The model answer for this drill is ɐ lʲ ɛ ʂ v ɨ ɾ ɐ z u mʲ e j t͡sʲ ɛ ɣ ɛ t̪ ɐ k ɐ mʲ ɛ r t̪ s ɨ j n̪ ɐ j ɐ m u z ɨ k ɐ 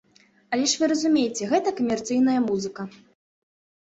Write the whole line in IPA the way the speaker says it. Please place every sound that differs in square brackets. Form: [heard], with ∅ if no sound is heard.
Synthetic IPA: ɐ lʲ ɛ ʂ v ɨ ɾ ɐ z u mʲ e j t͡sʲ ɛ ɣ ɛ t̪ ɐ k ɐ mʲ ɛ r t̪ s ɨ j n̪ ɐ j ɐ m u z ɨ k ɐ